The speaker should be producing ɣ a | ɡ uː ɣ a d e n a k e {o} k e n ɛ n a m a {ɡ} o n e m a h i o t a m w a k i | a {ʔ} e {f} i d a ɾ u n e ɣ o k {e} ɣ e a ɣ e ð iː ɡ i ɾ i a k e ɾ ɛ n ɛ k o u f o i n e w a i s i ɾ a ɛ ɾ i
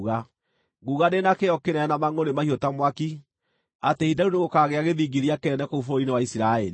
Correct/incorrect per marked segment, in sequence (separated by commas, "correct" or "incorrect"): incorrect, incorrect, incorrect, incorrect, incorrect